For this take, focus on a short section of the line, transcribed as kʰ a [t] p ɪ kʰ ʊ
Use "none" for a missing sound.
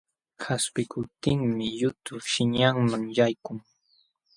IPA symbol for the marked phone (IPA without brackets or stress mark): s